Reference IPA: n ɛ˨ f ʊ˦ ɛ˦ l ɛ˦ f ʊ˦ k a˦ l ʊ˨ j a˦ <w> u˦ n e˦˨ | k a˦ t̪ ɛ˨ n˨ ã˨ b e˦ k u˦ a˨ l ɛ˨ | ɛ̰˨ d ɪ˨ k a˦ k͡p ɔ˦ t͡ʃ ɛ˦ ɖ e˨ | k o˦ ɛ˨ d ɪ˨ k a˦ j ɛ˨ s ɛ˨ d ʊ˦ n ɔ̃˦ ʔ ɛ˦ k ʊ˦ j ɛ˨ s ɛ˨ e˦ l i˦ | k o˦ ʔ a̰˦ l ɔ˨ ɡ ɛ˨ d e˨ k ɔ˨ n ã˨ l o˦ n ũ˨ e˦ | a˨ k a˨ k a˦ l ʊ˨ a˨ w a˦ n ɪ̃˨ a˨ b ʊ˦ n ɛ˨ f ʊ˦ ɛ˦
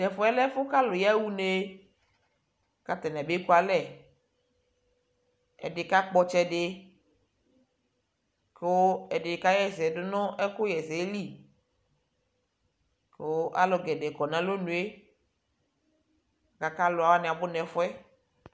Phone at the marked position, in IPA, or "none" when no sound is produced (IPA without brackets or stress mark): w